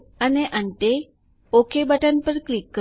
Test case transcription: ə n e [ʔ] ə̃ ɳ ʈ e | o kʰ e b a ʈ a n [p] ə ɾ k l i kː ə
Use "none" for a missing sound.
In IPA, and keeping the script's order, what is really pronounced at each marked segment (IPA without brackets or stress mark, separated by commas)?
ʔ, p